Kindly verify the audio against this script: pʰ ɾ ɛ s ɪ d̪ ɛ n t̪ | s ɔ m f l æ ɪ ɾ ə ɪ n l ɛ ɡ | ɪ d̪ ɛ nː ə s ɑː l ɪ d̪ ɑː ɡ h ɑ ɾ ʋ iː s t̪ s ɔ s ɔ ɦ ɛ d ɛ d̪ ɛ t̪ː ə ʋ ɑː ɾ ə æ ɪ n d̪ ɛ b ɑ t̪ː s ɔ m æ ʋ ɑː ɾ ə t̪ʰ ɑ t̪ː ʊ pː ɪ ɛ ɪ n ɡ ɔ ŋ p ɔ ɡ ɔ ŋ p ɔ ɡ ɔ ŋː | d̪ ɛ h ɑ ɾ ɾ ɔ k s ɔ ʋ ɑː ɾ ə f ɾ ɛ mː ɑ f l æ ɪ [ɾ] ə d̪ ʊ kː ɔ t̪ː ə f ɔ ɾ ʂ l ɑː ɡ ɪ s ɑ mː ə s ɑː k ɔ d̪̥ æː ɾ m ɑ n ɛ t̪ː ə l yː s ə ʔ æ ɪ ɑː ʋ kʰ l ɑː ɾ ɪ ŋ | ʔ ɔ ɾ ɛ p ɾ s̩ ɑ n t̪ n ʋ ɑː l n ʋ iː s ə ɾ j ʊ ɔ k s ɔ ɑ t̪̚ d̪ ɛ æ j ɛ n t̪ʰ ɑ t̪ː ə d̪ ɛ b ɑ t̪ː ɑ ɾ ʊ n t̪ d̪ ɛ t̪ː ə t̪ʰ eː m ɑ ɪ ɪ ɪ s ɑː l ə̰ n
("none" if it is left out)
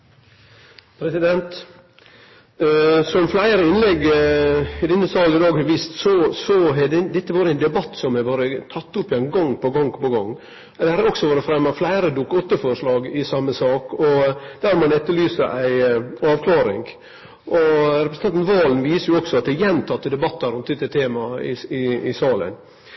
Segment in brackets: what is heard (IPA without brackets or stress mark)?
ɾ